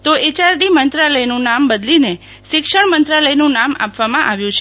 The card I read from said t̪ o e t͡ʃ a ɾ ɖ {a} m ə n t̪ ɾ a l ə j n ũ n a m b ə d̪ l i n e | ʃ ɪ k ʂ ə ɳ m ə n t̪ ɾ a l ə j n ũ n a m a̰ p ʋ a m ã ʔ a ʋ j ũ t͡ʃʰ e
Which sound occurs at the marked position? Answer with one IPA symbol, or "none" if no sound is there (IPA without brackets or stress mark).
i